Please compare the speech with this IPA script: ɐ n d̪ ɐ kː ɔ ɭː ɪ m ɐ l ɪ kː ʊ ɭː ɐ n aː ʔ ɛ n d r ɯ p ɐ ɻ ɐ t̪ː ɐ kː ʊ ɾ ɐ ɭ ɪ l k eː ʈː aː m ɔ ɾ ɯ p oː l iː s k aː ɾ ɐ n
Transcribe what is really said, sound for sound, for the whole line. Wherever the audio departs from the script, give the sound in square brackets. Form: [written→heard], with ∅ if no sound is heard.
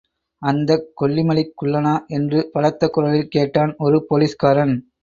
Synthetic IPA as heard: ɐ n d̪ ɐ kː ɔ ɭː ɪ m ɐ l ɪ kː ʊ ɭː ɐ n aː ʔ ɛ n d r ɯ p ɐ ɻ ɐ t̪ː ɐ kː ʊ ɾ ɐ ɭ ɪ l k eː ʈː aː [m→n] ɔ ɾ ɯ p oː l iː s k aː ɾ ɐ n